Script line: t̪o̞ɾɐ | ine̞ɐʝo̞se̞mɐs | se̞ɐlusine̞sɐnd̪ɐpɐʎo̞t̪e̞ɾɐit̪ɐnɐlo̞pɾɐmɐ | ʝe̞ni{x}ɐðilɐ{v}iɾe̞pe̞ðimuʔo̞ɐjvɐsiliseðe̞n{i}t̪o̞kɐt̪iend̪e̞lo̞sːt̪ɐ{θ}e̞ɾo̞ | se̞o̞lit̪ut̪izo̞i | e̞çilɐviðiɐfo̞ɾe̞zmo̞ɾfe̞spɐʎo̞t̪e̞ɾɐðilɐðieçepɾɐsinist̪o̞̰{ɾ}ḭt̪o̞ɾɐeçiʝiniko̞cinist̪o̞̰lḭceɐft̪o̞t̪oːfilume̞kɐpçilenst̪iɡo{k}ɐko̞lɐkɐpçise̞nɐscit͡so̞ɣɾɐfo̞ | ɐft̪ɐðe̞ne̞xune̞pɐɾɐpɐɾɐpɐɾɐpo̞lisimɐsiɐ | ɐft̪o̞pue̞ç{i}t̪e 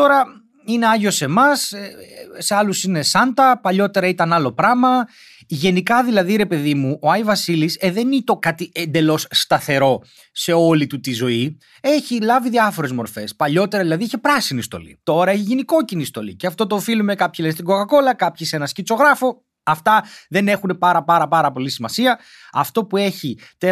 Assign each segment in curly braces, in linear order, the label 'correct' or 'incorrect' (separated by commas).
incorrect, incorrect, correct, correct, incorrect, correct, correct